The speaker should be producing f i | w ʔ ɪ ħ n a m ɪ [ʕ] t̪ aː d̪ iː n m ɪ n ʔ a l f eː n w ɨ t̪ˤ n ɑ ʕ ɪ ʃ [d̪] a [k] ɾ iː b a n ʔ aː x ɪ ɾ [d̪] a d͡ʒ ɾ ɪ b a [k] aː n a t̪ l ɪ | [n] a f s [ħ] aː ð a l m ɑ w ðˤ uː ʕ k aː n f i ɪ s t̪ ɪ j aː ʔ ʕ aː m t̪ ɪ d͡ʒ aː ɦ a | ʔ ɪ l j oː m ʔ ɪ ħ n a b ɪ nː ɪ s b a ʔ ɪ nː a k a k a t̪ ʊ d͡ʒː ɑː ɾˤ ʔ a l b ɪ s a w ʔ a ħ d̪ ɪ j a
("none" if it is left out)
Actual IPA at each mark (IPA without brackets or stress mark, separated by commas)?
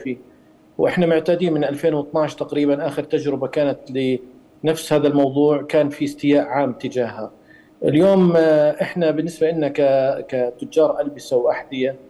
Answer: ʕ, t̪, q, t̪, k, n, h